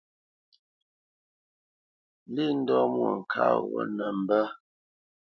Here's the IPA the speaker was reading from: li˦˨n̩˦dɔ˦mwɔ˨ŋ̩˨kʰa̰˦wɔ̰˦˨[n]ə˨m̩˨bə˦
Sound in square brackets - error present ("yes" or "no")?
no